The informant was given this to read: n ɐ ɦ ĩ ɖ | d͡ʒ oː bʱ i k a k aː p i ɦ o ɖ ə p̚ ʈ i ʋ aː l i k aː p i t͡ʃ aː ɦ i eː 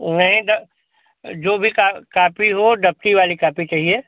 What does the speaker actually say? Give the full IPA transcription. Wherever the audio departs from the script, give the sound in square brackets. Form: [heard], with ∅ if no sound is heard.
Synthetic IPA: n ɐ ɦ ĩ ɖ | d͡ʒ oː bʱ i k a k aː p i ɦ o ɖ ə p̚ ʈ i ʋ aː l i k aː p i t͡ʃ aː ɦ i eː

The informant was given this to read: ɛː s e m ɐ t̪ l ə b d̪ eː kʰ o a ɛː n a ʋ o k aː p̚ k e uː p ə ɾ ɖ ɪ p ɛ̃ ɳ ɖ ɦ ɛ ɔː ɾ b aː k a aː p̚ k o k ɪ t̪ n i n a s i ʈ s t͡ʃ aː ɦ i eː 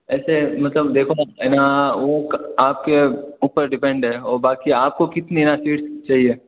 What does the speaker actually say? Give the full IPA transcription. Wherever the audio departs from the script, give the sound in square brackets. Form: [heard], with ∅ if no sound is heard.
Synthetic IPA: ɛː s e m ɐ t̪ l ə b d̪ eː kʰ o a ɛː n a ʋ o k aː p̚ k e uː p ə ɾ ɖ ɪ p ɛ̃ ɳ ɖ ɦ ɛ ɔː ɾ b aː k [i] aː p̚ k o k ɪ t̪ n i n a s [iː] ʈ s t͡ʃ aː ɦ i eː

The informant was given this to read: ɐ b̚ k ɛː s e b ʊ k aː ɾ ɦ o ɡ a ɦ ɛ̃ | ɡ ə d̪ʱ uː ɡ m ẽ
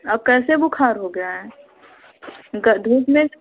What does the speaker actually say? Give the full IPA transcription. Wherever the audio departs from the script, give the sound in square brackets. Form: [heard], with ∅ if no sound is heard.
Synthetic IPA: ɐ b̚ k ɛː s e b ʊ [kʰ] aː ɾ ɦ o ɡ a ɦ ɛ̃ | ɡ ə d̪ʱ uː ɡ m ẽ

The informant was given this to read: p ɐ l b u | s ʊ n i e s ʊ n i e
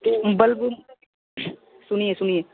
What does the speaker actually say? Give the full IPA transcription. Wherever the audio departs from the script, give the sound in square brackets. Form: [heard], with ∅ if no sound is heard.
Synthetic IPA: [b] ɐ l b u | s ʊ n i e s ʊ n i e

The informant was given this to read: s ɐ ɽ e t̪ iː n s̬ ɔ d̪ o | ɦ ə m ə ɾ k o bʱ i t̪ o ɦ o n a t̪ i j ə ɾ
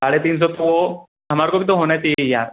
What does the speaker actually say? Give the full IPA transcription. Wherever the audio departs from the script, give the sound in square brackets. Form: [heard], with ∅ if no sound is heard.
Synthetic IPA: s [a] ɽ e t̪ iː n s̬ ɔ [t̪] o | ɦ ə m [a] ɾ k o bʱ i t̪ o ɦ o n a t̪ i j [a] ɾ

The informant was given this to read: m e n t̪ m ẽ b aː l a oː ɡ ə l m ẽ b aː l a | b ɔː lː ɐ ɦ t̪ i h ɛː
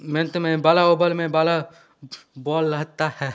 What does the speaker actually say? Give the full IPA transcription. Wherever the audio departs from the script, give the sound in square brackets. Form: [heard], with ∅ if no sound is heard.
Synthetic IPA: m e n t̪ m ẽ b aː l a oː [b] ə l m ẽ b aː l a | b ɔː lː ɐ ɦ t̪ [a] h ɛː

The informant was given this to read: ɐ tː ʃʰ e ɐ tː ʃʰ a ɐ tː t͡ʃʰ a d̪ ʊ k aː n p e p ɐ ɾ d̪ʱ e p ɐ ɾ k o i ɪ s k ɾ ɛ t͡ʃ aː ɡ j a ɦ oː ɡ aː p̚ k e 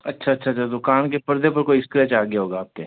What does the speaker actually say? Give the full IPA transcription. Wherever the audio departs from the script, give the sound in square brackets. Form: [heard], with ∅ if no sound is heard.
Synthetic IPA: ɐ tː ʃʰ [a] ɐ tː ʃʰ a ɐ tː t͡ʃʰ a d̪ ʊ k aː n [k] e p ɐ ɾ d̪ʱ e p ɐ ɾ k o i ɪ s k ɾ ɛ t͡ʃ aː ɡ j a ɦ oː ɡ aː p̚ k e

